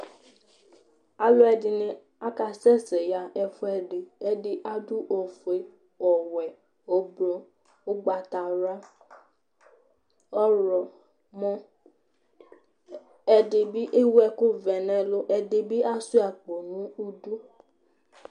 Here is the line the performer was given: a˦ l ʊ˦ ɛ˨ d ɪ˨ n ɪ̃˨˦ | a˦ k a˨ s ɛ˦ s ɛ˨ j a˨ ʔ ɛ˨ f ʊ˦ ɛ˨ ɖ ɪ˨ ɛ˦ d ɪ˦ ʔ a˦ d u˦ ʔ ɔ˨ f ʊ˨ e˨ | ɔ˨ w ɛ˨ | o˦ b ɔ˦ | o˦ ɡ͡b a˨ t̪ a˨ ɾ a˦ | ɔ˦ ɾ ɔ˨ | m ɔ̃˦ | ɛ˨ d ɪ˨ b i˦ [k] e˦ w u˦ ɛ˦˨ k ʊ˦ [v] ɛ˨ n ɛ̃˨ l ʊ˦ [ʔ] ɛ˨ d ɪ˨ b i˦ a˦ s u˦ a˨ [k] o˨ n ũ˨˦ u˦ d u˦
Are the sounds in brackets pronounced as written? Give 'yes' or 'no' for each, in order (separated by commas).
no, yes, yes, no